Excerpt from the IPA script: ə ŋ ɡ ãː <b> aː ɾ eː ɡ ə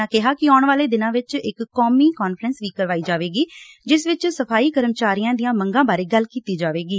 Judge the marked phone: correct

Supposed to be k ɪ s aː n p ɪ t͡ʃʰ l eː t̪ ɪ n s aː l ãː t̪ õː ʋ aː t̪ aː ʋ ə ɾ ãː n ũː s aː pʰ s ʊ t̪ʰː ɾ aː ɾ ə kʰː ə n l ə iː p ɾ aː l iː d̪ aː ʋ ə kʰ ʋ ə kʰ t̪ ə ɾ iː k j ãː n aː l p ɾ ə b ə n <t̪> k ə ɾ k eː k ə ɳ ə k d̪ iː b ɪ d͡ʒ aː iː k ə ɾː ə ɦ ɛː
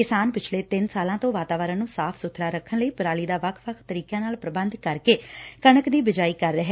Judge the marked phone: incorrect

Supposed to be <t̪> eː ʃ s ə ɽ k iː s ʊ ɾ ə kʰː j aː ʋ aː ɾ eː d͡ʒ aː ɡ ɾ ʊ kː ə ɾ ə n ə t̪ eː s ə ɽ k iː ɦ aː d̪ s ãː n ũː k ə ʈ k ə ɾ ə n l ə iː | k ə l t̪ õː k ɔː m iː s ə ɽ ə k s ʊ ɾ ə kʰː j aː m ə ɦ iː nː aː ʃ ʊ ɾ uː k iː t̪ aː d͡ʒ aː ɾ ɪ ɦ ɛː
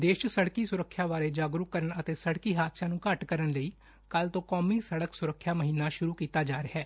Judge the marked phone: incorrect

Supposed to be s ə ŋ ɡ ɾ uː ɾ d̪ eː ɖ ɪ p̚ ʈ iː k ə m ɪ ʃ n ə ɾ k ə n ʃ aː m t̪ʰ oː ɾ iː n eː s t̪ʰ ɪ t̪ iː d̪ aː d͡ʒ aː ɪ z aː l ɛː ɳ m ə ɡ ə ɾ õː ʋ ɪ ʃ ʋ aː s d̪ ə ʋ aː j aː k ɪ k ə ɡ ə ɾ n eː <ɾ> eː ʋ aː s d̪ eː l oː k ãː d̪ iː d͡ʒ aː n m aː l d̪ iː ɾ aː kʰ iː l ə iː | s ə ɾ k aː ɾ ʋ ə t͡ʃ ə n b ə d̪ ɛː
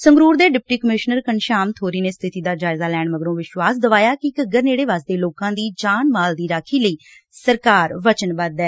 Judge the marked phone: incorrect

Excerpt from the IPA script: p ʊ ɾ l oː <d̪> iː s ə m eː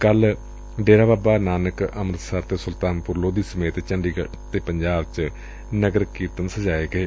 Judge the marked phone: correct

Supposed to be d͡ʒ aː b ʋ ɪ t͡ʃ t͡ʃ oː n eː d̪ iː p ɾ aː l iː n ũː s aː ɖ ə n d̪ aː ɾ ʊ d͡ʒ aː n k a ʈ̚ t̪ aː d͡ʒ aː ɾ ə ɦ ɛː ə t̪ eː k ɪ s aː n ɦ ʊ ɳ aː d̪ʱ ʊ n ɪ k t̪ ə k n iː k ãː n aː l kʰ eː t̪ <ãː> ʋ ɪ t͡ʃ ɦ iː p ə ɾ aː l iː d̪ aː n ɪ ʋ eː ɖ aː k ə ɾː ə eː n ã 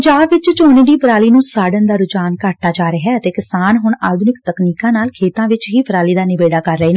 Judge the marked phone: correct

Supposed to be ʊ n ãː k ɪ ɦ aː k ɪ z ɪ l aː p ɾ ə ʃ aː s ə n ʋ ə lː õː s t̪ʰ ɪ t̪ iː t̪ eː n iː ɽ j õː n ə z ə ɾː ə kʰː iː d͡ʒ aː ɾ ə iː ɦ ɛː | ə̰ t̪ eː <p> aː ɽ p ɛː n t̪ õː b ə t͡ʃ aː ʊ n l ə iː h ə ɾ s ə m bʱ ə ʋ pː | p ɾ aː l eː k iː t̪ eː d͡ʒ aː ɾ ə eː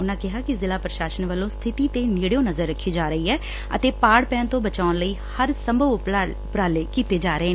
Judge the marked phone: correct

